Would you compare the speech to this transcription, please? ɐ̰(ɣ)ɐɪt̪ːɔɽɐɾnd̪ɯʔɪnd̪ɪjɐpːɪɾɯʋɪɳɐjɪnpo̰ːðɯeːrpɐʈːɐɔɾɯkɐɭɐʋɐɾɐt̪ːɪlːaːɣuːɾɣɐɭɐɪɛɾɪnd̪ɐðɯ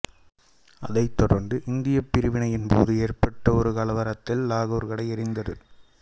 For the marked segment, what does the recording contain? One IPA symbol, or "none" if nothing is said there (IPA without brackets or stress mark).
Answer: ð